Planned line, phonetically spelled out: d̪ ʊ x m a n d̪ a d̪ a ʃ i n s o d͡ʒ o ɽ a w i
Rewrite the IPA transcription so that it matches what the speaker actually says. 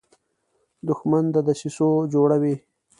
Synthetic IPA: d̪ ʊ x m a n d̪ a d̪ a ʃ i s o d͡ʒ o ɽ a w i